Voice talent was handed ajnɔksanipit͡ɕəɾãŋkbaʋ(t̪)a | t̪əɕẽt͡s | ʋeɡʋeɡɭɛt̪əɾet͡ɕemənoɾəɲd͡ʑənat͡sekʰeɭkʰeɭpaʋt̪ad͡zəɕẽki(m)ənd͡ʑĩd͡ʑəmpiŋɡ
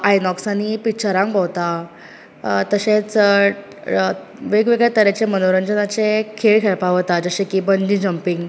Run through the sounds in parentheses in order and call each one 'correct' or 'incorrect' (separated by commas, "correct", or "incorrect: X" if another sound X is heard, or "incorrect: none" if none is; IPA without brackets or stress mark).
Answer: correct, incorrect: b